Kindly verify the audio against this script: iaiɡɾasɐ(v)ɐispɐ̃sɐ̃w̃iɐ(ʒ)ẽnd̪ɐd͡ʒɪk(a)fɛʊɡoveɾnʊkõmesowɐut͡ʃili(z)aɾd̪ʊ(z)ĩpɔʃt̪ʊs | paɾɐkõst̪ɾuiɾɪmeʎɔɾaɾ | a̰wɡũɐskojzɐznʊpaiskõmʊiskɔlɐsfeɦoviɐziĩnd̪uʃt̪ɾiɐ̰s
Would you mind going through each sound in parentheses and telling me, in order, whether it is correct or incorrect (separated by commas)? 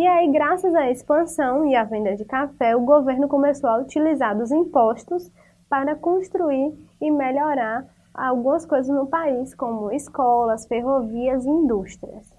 incorrect, incorrect, correct, correct, correct